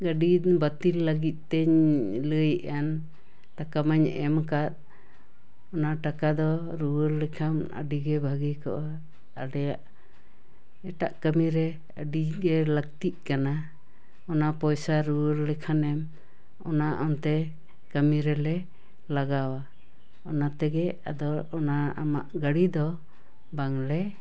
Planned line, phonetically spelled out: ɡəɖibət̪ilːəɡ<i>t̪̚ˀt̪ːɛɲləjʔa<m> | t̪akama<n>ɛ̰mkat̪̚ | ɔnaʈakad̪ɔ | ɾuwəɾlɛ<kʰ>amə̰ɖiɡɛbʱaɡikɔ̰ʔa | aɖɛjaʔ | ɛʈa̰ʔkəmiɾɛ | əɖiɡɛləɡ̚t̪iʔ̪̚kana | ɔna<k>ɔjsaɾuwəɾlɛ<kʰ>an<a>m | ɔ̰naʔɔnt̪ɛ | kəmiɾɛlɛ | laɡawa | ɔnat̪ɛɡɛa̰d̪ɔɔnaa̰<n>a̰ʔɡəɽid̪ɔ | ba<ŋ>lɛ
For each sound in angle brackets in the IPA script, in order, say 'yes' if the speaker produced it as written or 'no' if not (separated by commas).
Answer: yes, no, no, yes, no, yes, no, no, yes